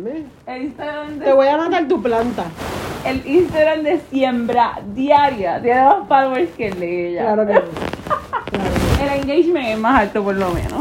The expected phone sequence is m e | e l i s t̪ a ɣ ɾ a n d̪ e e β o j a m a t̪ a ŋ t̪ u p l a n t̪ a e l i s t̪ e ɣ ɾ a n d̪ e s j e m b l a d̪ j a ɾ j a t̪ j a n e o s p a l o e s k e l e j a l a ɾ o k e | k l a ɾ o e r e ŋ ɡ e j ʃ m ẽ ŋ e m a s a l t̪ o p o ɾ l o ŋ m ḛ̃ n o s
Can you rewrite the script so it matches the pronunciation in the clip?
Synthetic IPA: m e | e l i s t̪ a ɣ ɾ a n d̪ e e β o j a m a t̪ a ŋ t̪ u p l a n t̪ a e l i s t̪ a ɣ ɾ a n d̪ e s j e m b ɾ a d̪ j a ɾ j a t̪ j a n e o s p a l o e s k e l e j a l a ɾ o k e | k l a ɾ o e l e ŋ ɡ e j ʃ m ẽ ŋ e m a s a l t̪ o p o ɾ l o m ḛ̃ n o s